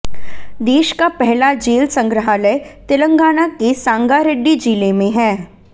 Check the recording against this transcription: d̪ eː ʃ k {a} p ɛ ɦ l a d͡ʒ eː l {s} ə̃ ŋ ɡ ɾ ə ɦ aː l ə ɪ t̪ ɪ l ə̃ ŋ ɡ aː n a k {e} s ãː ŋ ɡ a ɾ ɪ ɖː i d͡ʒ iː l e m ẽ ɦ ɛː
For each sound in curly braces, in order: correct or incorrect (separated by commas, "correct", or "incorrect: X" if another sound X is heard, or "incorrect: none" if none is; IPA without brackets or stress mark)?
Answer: correct, correct, correct